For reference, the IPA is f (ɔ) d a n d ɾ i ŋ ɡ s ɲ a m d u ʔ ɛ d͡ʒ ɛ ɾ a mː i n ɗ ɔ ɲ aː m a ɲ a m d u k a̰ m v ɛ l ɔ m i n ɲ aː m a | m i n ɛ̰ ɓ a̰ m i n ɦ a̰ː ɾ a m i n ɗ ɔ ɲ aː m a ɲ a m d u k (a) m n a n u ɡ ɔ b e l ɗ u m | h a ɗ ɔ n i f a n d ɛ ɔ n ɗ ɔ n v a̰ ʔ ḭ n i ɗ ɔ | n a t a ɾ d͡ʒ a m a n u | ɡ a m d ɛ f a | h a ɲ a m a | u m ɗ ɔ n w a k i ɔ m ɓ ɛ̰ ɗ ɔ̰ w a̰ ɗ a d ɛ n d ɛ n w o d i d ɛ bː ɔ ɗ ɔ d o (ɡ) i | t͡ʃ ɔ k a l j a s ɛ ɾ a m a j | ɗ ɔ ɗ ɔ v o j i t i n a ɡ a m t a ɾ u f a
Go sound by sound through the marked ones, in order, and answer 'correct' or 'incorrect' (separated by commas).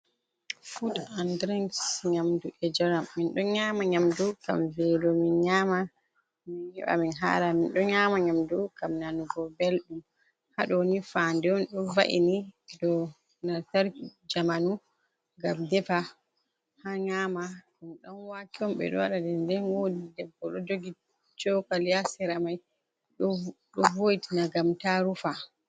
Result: incorrect, correct, correct